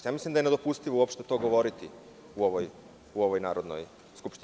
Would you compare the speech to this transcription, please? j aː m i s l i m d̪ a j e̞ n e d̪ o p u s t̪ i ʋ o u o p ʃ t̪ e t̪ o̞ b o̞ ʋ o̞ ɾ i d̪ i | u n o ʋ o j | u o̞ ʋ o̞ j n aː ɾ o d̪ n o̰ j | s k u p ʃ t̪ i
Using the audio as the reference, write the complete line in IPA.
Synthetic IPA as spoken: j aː m i s l i m d̪ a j e̞ n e d̪ o p u s t̪ i ʋ o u o p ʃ t̪ e t̪ o̞ ɡ o̞ ʋ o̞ ɾ i t̪ i | u o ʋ o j | u o̞ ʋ o̞ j n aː ɾ o d̪ n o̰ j | s k u p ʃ t̪ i